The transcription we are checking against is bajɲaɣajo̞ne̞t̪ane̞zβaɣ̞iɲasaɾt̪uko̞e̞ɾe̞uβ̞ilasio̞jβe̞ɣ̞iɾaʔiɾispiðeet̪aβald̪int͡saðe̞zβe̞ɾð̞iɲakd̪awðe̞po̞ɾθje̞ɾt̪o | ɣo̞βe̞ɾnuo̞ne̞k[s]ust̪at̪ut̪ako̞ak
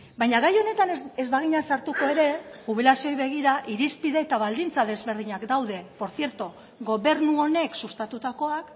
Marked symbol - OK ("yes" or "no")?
yes